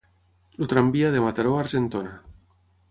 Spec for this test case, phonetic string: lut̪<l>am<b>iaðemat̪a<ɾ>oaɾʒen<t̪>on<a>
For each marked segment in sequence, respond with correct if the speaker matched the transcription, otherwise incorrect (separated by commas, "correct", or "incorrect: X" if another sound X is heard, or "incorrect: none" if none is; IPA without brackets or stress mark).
incorrect: ɾ, correct, correct, correct, correct